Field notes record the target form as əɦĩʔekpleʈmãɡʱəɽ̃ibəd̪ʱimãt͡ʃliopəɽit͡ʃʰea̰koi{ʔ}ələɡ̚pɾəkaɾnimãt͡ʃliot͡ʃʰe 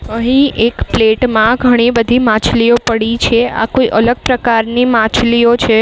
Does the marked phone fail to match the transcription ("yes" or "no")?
no